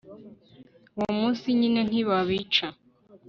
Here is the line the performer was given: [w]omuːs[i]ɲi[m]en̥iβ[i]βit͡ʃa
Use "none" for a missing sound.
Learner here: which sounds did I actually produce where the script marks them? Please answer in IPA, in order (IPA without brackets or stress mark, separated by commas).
w, i, n, a